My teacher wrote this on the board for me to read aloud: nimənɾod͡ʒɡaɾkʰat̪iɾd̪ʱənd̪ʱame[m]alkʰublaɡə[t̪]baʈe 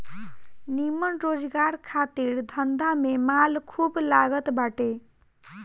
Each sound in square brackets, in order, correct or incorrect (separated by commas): correct, correct